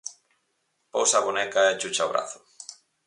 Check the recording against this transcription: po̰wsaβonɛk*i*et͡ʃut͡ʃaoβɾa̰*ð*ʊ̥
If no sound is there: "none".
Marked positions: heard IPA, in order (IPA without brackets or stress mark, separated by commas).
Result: a, θ